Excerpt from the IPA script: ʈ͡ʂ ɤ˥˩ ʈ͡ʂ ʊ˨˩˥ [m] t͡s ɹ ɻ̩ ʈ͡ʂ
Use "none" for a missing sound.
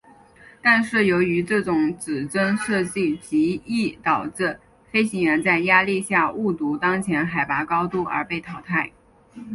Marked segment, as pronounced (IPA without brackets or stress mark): ŋ